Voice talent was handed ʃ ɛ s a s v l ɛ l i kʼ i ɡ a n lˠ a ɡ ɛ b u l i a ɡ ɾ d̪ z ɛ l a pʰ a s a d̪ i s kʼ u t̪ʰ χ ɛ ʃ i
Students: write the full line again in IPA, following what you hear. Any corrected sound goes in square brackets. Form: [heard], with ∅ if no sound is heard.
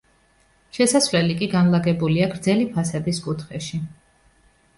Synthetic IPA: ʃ ɛ s a s v l ɛ l i kʼ i ɡ a n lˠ a ɡ ɛ b u l i a ɡ ɾ d̪ z ɛ l [i] pʰ a s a d̪ i s kʼ u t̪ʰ χ ɛ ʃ i